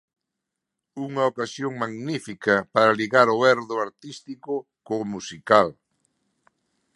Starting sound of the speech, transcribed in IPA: u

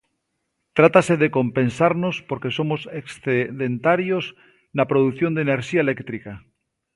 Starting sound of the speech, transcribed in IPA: t̪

